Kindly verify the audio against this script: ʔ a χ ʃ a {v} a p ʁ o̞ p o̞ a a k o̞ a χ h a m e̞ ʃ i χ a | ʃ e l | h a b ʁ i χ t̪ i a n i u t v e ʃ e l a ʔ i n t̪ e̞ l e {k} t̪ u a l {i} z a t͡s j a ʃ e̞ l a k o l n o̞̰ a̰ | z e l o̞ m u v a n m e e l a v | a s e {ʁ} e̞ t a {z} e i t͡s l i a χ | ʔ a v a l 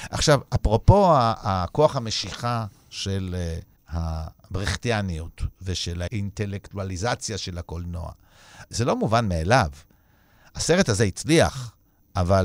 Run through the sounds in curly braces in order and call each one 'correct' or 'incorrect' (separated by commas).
correct, correct, correct, correct, correct